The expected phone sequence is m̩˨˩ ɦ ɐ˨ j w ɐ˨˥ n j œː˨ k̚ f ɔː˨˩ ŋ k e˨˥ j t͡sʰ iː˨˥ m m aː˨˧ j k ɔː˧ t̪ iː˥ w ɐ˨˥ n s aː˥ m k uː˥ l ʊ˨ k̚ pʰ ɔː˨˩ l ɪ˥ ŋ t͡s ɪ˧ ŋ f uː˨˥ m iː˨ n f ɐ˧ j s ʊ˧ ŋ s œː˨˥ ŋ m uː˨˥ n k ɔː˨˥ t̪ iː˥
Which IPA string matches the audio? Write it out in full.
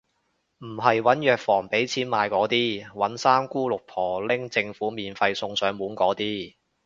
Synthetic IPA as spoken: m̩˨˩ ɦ ɐ˨ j w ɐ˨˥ n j œː˨ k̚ f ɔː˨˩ ŋ p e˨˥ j t͡sʰ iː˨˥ n m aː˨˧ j k ɔː˨˥ t̪ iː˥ w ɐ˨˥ n s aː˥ m k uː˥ l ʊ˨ k̚ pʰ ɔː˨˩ l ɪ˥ ŋ t͡s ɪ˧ ŋ f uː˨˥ m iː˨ n f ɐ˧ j s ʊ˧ ŋ s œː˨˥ ŋ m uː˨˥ n k ɔː˨˥ t̪ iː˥